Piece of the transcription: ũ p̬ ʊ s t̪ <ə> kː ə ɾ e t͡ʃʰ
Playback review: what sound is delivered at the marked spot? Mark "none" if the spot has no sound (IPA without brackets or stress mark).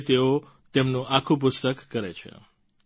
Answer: ə